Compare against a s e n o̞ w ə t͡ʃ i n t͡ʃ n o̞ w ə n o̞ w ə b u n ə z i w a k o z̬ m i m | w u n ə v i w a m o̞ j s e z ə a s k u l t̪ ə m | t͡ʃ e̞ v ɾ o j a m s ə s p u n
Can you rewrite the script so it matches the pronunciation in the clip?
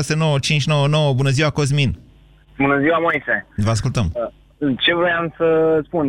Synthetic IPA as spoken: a s e n o̞ w ə t͡ʃ i n t͡ʃ n o̞ w ə n o̞ w ə b u n ə z i w a k o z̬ m i n | b u n ə z i w a m o̞ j s e v ə a s k u l t̪ ə m | t͡ʃ e̞ v ɾ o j a m s ə s p u n